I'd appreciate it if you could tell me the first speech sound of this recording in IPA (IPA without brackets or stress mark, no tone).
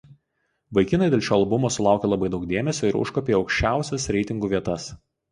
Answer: ʋ